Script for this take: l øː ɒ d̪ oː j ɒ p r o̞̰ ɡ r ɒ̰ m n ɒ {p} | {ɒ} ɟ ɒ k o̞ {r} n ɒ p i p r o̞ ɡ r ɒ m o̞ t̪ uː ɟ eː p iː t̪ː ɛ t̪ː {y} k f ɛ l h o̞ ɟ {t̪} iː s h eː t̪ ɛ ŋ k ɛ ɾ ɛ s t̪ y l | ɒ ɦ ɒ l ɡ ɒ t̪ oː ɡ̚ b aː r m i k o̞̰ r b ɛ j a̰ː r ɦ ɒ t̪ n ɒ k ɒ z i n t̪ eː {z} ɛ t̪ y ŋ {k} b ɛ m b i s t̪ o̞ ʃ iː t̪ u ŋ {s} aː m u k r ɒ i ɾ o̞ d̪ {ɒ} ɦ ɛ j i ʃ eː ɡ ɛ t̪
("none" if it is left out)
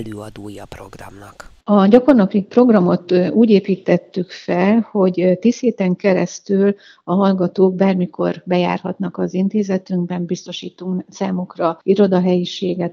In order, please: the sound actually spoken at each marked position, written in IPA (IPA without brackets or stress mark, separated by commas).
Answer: k, ɒ, r, y, t̪, z, ɡ, s, ɒ